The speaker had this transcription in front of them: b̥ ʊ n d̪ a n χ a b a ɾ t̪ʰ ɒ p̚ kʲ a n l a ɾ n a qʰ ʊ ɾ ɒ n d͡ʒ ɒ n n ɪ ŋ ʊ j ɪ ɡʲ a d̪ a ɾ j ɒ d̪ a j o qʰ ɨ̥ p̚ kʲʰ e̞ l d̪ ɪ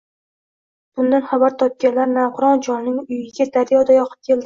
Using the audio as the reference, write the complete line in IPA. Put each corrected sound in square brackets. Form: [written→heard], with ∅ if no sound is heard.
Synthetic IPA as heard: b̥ ʊ n d̪ a n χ a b a ɾ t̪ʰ ɒ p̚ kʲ a n l a ɾ n a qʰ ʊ ɾ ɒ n d͡ʒ ɒ n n ɪ ŋ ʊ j ɪ ɡʲ a d̪ a ɾ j ɒ d̪ a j [o→ɒ] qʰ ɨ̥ p̚ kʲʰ e̞ l d̪ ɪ